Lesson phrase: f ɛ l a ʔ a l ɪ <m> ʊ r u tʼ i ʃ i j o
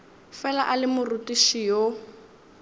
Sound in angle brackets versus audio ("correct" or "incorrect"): correct